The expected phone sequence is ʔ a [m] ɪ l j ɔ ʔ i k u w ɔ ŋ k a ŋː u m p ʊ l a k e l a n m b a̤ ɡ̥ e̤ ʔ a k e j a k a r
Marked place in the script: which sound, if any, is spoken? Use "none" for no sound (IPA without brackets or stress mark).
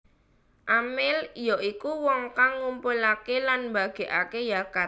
m